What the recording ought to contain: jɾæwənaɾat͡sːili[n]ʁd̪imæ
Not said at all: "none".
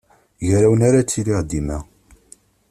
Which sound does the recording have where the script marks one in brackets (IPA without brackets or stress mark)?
none